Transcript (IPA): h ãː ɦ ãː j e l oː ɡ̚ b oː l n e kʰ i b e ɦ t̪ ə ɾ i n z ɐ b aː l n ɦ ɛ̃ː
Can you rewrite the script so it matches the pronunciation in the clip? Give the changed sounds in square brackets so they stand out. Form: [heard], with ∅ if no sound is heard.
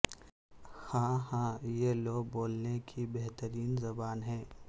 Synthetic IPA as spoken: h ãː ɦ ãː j e l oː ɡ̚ b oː l n e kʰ i b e ɦ t̪ ə ɾ [iː] n z ɐ b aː [∅] n ɦ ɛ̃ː